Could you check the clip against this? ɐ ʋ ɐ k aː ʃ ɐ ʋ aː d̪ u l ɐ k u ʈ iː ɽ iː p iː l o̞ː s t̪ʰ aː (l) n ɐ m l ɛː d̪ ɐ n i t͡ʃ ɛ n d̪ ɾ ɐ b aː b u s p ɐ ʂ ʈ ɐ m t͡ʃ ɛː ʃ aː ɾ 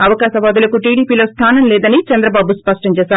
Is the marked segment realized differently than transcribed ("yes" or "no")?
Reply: yes